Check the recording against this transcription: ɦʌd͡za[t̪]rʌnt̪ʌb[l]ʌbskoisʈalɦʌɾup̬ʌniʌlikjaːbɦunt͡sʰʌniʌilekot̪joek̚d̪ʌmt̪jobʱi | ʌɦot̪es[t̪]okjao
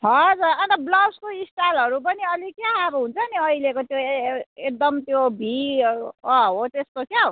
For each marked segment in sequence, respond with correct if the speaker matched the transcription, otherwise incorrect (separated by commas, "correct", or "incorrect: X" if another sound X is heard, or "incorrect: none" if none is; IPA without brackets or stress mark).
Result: incorrect: none, correct, correct